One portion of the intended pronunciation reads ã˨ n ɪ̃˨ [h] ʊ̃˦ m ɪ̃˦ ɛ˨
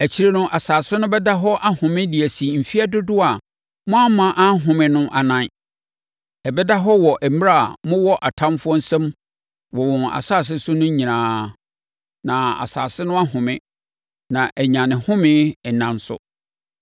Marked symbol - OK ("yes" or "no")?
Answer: yes